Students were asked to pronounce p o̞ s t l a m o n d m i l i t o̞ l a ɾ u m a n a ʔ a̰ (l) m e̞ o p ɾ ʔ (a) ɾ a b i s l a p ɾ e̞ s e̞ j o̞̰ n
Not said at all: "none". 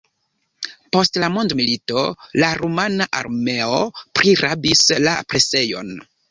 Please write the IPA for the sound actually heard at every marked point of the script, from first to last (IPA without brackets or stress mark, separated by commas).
ɾ, i